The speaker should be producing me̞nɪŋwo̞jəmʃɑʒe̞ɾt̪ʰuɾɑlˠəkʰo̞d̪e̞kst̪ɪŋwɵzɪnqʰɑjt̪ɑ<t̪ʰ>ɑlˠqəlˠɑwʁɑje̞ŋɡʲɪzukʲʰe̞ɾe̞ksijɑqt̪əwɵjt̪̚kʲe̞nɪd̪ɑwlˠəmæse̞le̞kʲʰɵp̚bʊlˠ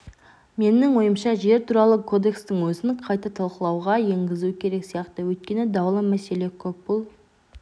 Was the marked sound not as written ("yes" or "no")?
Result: no